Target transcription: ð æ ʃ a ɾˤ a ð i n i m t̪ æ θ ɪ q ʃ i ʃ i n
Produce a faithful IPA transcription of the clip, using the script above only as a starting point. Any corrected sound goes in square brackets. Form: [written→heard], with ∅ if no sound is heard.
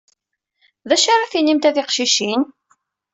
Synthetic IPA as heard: ð æ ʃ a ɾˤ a [ð→θ] i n i m t̪ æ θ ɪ q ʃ i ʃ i n